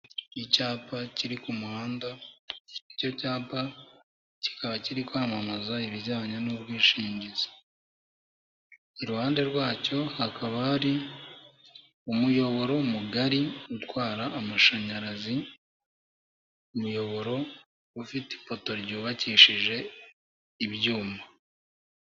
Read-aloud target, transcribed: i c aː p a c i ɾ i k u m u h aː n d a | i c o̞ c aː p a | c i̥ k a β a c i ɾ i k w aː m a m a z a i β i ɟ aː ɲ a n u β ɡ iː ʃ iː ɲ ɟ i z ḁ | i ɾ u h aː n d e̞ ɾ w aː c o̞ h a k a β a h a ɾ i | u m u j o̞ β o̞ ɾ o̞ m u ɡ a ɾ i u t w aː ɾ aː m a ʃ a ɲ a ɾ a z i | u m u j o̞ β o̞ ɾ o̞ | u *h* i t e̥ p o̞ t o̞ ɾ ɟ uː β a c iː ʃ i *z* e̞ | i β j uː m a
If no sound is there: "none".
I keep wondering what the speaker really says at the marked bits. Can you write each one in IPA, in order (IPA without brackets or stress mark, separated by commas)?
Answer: f, ʒ